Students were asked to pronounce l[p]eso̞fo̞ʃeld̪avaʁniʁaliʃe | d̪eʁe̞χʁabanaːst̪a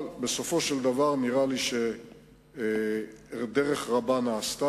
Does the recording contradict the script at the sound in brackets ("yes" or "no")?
yes